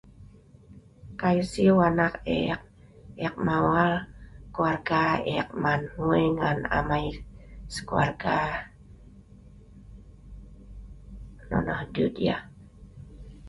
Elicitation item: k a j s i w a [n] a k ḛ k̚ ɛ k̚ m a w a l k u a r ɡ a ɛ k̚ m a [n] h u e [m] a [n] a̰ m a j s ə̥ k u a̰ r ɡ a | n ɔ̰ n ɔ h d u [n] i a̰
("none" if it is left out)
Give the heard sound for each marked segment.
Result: n, n, ŋ, n, d

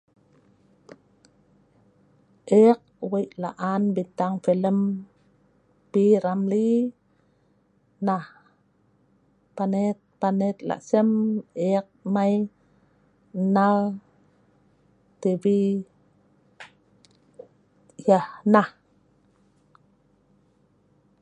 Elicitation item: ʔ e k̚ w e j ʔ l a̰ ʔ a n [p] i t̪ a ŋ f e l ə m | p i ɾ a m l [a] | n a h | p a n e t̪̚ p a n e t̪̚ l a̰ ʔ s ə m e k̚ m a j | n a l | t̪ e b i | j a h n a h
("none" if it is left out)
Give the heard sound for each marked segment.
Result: b, i

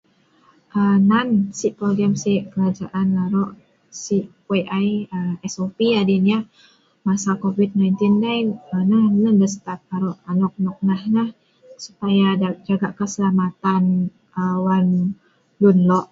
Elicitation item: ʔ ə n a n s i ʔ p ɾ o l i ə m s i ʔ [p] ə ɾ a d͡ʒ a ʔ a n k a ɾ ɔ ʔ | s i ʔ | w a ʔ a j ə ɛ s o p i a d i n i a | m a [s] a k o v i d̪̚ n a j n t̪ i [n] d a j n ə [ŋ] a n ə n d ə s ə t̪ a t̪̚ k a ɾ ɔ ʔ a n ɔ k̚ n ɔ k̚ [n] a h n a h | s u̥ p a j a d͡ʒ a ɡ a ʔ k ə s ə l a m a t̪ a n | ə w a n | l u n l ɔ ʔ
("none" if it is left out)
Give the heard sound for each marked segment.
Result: k, s, n, n, n

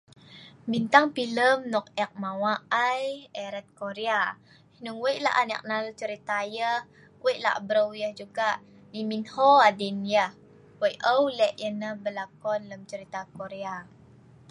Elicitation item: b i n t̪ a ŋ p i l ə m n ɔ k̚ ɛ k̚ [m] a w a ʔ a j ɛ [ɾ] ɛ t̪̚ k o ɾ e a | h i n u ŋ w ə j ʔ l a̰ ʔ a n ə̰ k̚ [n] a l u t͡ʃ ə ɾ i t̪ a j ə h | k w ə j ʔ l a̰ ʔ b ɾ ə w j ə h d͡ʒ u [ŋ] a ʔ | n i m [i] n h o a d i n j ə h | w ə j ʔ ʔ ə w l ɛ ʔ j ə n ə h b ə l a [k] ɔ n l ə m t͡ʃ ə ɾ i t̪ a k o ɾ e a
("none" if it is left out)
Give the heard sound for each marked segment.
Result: m, ɾ, n, ɡ, i, k

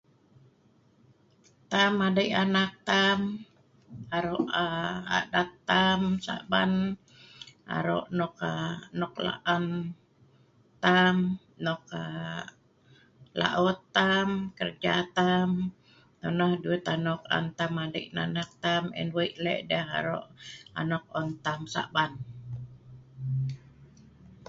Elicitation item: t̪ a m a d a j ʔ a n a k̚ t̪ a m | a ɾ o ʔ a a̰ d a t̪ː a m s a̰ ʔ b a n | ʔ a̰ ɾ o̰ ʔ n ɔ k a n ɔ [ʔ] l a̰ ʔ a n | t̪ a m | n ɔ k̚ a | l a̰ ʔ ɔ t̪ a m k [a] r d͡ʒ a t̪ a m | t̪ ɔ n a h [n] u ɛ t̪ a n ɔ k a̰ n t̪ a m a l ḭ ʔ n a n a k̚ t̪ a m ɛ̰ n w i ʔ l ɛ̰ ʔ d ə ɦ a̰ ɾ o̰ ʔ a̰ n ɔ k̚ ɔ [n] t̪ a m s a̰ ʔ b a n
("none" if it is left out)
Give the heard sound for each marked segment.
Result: k, ə, d, n

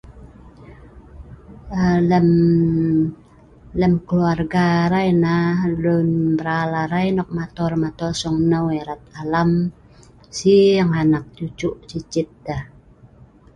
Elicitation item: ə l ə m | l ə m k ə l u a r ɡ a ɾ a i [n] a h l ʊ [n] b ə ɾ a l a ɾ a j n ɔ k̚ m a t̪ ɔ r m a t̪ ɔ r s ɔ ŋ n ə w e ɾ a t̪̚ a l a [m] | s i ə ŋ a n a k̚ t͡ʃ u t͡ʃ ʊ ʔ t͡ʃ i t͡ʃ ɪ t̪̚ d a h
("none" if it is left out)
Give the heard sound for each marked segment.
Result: n, n, m

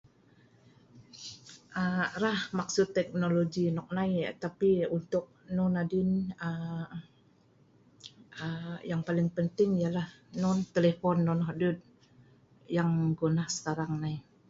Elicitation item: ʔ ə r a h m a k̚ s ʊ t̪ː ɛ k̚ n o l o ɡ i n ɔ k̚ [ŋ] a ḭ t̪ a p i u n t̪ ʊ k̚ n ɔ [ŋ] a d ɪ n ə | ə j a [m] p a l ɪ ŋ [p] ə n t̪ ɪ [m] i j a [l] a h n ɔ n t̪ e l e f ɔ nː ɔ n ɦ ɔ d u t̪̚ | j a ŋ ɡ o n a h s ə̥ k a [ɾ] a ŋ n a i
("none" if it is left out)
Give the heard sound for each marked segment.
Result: n, n, ŋ, p, ŋ, l, ɾ

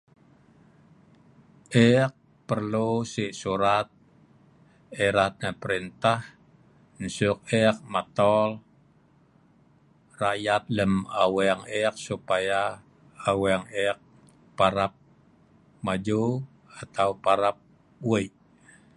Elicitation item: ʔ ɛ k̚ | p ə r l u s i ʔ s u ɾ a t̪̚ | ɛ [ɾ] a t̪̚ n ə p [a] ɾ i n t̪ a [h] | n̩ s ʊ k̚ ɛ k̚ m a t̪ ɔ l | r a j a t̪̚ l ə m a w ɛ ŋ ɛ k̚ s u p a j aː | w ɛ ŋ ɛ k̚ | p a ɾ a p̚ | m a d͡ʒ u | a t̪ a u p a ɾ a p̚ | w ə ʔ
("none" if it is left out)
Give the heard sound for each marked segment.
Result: ɾ, ə, h

